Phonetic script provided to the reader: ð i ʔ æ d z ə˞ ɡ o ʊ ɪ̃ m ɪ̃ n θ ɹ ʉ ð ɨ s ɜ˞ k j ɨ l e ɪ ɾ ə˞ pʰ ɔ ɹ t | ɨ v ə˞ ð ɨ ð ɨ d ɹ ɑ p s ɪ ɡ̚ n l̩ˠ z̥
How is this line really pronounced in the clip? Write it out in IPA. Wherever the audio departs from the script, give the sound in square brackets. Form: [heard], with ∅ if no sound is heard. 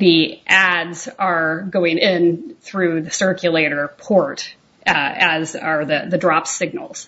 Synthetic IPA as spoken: ð i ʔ æ d z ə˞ ɡ o ʊ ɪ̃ [ŋ] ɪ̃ n θ ɹ ʉ ð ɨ s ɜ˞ k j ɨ l e ɪ ɾ ə˞ pʰ ɔ ɹ t | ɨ [z] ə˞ ð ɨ ð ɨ d ɹ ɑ p s ɪ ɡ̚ n l̩ˠ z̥